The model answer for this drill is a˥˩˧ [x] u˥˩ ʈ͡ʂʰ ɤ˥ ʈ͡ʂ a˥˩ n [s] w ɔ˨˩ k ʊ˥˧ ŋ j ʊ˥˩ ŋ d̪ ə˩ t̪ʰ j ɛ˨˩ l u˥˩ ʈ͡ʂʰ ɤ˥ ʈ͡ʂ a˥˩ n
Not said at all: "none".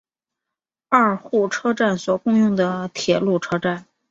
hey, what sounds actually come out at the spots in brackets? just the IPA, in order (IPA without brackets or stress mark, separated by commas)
x, s